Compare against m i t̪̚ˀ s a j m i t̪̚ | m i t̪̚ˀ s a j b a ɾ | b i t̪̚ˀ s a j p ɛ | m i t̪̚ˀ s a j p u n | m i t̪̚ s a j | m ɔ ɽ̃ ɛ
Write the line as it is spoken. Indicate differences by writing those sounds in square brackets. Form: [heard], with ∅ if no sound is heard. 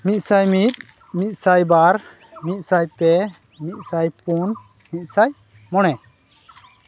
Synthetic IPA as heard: m i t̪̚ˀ s a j m i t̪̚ | m i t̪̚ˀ s a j b a ɾ | [m] i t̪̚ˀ s a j p ɛ | m i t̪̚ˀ s a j p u n | m i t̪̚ s a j | m ɔ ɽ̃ ɛ